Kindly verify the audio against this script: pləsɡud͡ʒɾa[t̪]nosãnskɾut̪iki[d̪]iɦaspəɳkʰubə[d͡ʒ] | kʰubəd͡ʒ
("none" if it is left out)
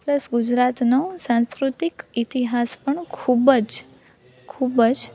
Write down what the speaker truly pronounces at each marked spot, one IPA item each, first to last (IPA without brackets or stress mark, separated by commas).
t̪, t̪, d͡ʒ